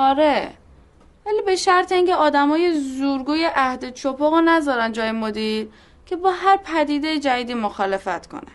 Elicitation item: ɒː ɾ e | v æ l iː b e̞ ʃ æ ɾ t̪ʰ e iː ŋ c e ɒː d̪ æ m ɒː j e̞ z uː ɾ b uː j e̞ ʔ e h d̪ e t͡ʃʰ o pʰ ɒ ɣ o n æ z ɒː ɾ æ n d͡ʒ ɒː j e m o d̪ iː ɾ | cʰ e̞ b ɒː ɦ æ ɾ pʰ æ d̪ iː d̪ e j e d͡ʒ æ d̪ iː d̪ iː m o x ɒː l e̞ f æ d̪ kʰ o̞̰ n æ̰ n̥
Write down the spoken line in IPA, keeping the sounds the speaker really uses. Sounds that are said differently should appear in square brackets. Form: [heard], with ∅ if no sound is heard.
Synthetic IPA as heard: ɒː ɾ e | v æ l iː b e̞ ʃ æ ɾ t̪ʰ e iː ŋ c e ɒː d̪ æ m ɒː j e̞ z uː ɾ [ɡ] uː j e̞ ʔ [æ] h d̪ e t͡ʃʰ o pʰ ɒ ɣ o n æ z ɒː ɾ æ n d͡ʒ ɒː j e m o d̪ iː ɾ | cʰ e̞ b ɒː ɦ æ ɾ pʰ æ d̪ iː d̪ e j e d͡ʒ æ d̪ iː d̪ iː m o x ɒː l e̞ f æ [t̪] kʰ o̞̰ n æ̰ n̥